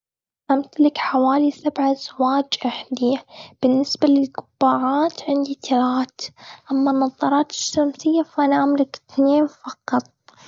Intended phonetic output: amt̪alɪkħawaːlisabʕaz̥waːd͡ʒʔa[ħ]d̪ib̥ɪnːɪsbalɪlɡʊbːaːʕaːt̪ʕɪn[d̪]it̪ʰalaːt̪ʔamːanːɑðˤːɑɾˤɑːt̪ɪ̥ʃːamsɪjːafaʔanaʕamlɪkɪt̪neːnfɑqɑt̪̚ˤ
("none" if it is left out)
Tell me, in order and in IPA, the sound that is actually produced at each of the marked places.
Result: ħ, d̪

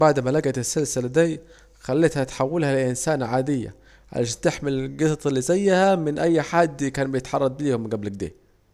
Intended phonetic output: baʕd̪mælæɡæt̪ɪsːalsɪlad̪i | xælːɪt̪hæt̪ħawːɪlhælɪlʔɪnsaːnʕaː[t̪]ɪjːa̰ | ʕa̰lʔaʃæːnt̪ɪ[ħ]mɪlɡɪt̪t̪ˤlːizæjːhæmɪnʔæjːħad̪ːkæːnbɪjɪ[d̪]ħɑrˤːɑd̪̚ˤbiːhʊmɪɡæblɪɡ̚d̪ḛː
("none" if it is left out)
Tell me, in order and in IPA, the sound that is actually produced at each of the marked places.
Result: d̪, ħ, t̪

